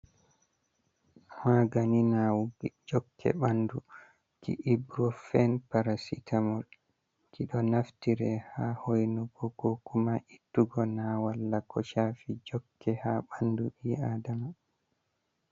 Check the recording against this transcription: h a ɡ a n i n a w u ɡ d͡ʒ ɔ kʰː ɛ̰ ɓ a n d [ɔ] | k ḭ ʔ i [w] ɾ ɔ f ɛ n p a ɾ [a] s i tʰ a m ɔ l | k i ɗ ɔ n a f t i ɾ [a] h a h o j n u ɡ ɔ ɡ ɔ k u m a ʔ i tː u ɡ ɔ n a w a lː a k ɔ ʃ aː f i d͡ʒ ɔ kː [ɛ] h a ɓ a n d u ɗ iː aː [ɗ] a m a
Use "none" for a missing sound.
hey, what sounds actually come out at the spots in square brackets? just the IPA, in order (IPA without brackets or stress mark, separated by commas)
u, b, a, ɛ, ɛ, d